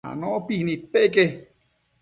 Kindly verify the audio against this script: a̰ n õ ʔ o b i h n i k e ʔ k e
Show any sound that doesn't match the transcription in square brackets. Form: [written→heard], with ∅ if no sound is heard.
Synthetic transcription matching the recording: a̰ n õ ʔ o [b→p] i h n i [k→p] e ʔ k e